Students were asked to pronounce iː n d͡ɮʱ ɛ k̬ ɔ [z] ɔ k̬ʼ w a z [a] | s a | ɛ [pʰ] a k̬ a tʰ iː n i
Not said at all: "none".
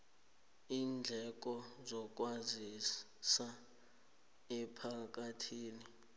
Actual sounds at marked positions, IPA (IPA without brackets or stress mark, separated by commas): z, i, pʰ